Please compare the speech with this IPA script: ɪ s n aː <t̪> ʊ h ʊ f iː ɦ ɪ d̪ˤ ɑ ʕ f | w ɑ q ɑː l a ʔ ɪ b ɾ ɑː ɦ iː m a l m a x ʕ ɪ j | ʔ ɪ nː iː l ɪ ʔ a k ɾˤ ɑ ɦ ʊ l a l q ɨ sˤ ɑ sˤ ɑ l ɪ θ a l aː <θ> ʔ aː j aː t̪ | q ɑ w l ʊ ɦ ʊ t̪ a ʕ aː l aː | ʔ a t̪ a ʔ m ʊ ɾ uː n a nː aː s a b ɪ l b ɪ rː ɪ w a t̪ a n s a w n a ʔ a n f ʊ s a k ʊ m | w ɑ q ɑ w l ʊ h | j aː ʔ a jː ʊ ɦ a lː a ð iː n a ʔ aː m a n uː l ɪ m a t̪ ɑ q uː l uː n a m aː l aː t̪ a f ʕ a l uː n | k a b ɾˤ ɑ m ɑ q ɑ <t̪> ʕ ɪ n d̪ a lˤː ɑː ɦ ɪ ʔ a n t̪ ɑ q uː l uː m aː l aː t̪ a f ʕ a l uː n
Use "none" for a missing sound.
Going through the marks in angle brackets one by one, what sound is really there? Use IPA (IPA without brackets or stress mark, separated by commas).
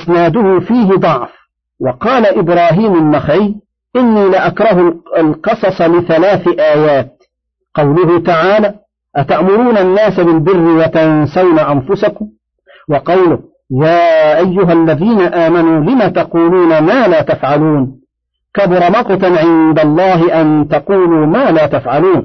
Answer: d̪, θ, t̪